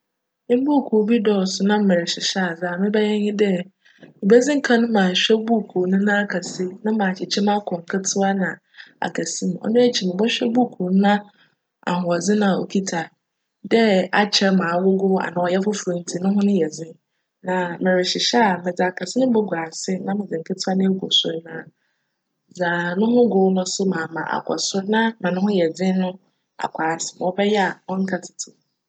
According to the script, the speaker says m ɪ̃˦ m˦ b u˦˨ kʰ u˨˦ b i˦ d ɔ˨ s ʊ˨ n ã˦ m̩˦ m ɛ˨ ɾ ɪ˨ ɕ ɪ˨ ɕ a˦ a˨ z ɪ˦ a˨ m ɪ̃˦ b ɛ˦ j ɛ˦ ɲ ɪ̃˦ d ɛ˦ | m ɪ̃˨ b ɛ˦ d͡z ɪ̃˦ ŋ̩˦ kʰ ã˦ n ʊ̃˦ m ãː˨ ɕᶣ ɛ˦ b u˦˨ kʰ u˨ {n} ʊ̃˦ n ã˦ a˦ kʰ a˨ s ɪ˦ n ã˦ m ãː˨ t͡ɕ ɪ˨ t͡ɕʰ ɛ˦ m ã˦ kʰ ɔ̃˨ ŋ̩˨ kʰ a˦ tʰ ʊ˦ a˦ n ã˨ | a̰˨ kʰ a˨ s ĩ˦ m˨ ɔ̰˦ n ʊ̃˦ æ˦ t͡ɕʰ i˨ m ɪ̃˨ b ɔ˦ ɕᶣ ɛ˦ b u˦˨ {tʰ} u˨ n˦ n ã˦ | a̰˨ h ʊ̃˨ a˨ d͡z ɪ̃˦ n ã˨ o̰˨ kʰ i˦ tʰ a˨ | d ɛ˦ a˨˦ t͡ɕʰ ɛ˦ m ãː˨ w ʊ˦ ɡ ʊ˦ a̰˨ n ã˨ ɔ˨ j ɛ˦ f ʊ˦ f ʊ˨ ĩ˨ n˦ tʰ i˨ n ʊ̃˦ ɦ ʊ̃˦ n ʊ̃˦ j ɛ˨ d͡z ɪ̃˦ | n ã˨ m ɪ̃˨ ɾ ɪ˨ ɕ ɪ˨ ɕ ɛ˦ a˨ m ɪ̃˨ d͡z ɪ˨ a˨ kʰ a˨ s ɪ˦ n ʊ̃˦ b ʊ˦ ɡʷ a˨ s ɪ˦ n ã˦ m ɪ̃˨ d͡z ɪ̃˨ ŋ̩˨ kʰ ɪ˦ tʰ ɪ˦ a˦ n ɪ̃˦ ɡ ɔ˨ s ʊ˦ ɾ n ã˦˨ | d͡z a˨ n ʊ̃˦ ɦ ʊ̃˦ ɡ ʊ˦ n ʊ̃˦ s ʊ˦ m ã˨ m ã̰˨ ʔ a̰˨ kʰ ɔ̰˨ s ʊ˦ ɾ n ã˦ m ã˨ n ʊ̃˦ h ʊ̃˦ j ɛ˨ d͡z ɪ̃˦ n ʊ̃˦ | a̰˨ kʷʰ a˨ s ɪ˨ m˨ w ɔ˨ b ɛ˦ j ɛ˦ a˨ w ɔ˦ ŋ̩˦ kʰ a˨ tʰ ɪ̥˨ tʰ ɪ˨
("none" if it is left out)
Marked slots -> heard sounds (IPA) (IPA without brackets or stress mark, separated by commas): n, kʰ